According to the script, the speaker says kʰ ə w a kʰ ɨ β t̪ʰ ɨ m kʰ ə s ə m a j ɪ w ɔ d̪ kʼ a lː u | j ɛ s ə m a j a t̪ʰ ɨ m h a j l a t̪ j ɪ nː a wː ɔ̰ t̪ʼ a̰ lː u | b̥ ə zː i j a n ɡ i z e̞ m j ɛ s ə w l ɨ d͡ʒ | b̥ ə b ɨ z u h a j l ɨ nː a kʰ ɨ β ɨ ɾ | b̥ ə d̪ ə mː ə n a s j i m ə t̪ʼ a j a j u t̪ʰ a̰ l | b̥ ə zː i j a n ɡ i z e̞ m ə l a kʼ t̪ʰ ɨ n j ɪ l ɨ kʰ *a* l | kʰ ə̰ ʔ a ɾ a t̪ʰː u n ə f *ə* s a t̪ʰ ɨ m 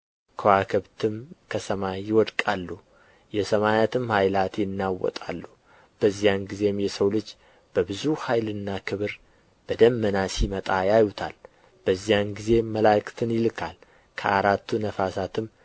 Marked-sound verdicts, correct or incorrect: correct, incorrect: a

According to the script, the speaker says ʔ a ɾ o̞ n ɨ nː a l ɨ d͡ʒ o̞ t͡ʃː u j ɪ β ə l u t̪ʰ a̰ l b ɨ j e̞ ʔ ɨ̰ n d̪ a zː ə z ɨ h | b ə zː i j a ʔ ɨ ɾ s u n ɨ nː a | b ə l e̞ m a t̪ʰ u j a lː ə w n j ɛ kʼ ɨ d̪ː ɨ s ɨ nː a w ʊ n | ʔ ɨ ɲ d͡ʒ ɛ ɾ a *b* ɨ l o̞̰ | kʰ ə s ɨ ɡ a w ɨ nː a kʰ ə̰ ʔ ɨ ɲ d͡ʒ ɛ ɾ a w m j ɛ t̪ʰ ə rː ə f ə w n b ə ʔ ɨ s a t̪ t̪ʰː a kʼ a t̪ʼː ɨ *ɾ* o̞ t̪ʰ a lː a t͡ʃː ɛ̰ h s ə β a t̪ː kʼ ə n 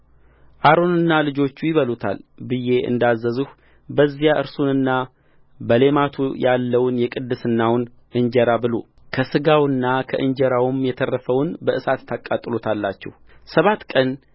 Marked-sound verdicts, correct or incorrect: correct, incorrect: l

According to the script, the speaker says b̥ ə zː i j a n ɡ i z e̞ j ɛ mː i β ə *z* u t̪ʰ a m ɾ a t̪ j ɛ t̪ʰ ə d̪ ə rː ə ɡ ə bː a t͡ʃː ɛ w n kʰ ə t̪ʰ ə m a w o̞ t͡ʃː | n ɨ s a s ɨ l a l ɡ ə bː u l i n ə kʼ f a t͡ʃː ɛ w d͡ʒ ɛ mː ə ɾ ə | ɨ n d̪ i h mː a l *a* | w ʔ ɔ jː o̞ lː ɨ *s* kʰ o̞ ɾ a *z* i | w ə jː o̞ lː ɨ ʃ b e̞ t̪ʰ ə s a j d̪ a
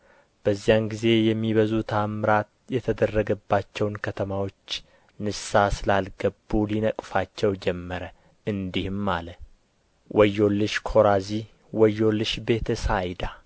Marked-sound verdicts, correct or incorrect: correct, incorrect: ə, incorrect: ʃ, correct

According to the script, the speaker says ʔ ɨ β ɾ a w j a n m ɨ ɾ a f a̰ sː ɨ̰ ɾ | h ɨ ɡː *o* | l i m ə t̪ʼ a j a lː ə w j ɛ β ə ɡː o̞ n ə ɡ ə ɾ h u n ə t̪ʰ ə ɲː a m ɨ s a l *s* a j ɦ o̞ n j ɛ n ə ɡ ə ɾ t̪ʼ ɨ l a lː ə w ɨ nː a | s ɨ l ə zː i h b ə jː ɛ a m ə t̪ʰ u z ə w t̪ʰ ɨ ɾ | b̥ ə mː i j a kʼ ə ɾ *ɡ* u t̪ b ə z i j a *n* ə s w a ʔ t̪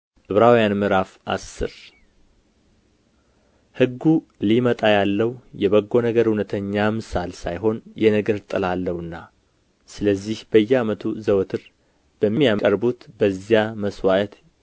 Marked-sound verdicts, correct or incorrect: incorrect: u, correct, incorrect: b, incorrect: m

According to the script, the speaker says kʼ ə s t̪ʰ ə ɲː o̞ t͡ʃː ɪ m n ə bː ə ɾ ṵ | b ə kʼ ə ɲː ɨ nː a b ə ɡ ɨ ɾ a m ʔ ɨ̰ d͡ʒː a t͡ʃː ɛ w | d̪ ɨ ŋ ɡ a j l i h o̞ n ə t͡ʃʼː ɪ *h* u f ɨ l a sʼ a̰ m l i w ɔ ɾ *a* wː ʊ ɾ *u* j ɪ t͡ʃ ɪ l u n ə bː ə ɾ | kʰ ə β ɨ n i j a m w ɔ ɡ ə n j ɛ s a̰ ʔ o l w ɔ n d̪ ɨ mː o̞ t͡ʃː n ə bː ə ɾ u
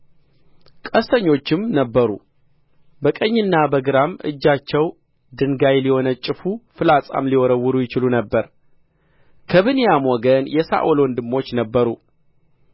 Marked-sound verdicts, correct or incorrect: incorrect: f, incorrect: ə, correct

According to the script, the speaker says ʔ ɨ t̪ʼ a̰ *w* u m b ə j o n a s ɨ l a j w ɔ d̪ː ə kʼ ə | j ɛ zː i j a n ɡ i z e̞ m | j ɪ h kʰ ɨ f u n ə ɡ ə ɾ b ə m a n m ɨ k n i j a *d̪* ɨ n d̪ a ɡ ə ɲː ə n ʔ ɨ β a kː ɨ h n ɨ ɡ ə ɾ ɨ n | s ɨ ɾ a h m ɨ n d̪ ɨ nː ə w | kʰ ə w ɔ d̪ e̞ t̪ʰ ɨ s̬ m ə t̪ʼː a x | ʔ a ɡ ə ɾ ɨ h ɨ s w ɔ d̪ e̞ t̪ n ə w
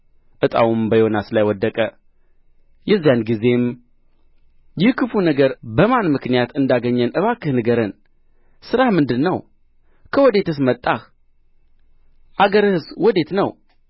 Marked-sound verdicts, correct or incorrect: correct, incorrect: t̪

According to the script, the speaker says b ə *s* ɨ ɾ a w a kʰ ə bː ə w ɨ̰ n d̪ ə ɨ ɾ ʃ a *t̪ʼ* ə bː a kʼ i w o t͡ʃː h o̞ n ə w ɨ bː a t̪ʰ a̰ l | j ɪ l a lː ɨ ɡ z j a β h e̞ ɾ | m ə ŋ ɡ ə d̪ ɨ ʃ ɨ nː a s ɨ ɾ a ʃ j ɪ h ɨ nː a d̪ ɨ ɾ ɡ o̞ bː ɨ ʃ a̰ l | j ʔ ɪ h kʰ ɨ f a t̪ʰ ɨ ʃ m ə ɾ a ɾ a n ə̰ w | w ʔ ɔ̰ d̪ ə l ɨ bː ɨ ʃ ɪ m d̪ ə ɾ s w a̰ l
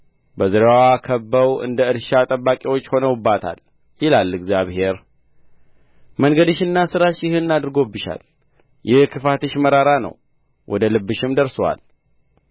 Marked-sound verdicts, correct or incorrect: incorrect: z, correct

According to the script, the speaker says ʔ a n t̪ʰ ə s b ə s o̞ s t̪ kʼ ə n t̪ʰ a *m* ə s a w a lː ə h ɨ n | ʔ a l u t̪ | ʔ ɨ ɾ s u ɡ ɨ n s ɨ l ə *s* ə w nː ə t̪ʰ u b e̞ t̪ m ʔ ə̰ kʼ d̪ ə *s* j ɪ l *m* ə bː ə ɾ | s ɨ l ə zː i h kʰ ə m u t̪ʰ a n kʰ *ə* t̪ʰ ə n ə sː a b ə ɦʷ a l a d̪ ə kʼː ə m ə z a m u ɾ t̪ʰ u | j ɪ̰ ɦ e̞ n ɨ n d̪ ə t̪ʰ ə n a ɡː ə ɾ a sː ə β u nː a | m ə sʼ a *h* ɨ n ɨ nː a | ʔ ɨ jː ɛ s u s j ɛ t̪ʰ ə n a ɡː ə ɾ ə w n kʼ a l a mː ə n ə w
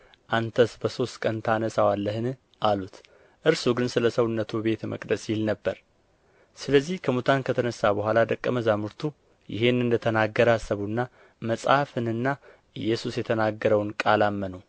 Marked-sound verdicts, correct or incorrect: incorrect: n, correct, correct, incorrect: n, correct, incorrect: f

